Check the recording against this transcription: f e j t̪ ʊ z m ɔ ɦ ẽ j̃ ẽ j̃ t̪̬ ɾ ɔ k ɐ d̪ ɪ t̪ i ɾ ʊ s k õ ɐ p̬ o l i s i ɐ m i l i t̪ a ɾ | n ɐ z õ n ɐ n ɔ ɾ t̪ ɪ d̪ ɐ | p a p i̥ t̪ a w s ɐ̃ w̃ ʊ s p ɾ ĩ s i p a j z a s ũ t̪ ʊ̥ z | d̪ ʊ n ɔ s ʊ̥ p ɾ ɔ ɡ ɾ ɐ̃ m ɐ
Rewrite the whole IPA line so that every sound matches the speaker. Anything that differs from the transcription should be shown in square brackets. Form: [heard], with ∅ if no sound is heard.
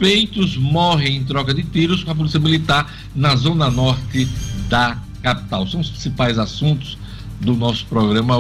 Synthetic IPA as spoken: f e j t̪ ʊ z m ɔ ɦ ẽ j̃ ẽ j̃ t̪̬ ɾ ɔ k ɐ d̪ ɪ t̪ i ɾ ʊ s k õ ɐ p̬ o l i s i ɐ m i l i t̪ a ɾ | n ɐ z õ n ɐ n ɔ ɾ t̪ ɪ d̪ ɐ | [k] a p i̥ t̪ a w s ɐ̃ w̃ ʊ s p ɾ ĩ s i p a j z a s ũ t̪ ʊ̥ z | d̪ ʊ n ɔ s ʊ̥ p ɾ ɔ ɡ ɾ ɐ̃ m ɐ